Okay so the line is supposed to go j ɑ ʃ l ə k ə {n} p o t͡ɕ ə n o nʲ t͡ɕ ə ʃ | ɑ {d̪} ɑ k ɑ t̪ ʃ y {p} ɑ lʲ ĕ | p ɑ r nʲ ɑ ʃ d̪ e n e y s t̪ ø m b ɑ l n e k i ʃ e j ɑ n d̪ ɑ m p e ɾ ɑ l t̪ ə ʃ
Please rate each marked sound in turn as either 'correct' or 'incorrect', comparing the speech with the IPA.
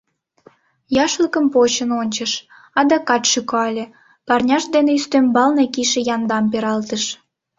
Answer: incorrect, correct, incorrect

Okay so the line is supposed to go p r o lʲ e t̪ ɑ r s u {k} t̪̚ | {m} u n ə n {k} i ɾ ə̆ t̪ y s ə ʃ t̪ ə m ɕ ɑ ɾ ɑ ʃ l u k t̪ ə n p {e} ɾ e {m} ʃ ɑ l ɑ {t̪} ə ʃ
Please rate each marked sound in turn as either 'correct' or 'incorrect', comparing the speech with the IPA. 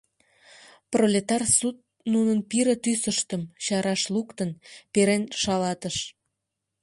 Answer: incorrect, incorrect, incorrect, correct, incorrect, correct

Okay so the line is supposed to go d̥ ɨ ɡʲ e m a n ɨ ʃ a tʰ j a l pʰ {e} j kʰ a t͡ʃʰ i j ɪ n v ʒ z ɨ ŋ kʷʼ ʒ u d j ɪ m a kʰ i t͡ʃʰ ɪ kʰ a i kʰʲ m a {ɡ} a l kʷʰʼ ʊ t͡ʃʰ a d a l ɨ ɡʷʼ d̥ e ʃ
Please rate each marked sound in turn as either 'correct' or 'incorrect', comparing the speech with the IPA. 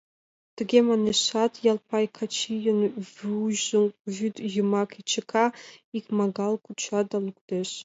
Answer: incorrect, correct

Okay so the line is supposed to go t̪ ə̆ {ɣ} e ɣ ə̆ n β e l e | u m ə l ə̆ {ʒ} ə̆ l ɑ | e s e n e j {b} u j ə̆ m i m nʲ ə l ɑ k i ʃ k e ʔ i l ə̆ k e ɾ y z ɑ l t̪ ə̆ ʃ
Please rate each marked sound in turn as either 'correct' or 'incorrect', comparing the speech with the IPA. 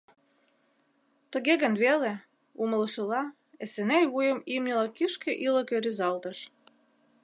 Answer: correct, incorrect, incorrect

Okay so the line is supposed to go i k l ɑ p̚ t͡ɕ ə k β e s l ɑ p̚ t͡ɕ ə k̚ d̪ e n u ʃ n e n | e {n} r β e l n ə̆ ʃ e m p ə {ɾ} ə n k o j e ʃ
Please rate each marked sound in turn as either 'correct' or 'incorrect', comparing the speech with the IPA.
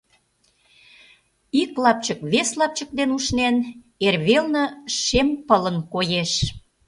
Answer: incorrect, incorrect

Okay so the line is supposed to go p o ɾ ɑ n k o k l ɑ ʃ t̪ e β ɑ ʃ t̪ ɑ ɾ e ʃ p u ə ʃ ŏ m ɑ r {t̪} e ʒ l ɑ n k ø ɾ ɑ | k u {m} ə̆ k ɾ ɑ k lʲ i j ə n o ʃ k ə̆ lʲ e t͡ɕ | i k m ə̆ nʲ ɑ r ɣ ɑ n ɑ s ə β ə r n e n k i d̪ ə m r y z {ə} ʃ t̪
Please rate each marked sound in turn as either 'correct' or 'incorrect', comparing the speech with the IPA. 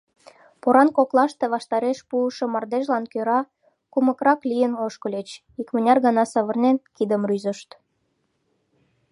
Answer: incorrect, correct, correct

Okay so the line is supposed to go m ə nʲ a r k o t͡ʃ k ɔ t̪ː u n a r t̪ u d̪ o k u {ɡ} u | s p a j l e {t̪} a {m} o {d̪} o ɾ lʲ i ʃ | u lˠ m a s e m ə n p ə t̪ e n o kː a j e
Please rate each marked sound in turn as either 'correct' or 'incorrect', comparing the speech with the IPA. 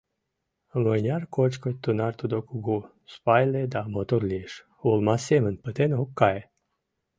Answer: correct, incorrect, correct, incorrect

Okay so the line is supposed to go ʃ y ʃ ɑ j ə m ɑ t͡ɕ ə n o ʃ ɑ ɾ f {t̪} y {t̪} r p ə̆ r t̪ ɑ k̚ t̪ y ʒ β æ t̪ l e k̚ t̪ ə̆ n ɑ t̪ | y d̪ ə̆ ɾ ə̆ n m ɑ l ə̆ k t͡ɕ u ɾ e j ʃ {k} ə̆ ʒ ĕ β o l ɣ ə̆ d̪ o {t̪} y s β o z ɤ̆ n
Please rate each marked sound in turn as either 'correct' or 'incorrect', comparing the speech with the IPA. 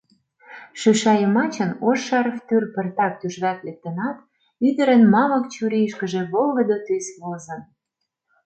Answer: correct, incorrect, correct, correct

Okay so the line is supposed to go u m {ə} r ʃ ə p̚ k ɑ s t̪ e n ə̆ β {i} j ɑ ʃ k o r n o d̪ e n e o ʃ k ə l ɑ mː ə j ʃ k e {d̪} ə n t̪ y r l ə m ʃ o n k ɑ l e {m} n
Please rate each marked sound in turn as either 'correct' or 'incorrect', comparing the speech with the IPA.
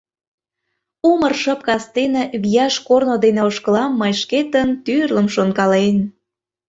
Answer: correct, correct, incorrect, incorrect

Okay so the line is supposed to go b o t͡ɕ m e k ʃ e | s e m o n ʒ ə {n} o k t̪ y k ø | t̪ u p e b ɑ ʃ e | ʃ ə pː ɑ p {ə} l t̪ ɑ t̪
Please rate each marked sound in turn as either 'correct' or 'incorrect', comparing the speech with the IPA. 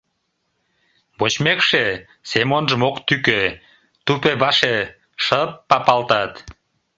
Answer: incorrect, incorrect

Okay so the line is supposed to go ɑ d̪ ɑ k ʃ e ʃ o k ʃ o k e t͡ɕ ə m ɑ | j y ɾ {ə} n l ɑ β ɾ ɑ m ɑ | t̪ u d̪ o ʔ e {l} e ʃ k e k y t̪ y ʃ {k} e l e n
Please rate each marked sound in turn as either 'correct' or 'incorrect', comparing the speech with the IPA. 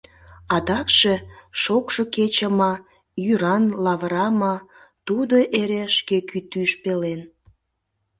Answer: incorrect, incorrect, incorrect

